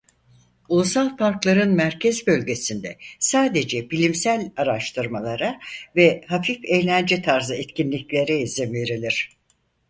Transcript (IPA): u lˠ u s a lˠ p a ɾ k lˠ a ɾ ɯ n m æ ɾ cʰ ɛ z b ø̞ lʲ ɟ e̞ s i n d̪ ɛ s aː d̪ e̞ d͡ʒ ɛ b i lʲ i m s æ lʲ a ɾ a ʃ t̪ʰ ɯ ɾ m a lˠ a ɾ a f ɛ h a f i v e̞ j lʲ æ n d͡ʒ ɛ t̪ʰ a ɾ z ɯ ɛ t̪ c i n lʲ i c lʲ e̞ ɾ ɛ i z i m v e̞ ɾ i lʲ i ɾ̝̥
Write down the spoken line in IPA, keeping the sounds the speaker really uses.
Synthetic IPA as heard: u lˠ u s a lˠ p a ɾ k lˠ a ɾ ɯ n m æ ɾ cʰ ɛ z b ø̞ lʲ ɟ e̞ s i n d̪ ɛ s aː d̪ e̞ d͡ʒ ɛ b i lʲ i m s æ lʲ a ɾ a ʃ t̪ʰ ɯ ɾ m a lˠ a ɾ a v ɛ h a f i f e̞ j lʲ æ n d͡ʒ ɛ t̪ʰ a ɾ z ɯ ɛ t̪ c i n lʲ i c lʲ e̞ ɾ ɛ i z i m v e̞ ɾ i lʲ i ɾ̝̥